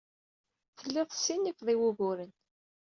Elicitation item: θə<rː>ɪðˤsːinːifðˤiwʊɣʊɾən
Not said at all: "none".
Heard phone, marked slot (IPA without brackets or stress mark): lː